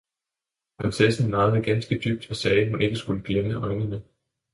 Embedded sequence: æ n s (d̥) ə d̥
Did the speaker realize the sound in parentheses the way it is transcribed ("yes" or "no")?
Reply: no